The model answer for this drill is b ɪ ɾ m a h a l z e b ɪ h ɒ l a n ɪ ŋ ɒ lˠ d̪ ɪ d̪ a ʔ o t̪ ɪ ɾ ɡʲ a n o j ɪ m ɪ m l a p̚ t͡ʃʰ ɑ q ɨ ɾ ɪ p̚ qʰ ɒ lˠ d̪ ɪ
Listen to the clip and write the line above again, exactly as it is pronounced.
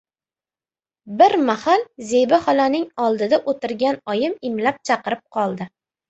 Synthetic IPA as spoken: b ɪ ɾ m a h a l z e b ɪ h ɒ l a n ɪ ŋ ɒ lˠ d̪ ɪ d̪ a ʔ o t̪ ɪ ɾ ɡʲ a n ɒ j ɪ m ɪ m l a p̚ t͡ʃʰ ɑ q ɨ ɾ ɪ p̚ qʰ ɒ lˠ d̪ ɪ